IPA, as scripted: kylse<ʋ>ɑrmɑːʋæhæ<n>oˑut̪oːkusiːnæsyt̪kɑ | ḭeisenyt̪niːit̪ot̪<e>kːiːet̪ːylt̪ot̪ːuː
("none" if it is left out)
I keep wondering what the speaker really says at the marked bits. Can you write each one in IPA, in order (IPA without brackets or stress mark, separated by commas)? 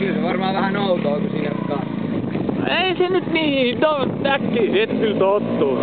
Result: ʋ, n, æ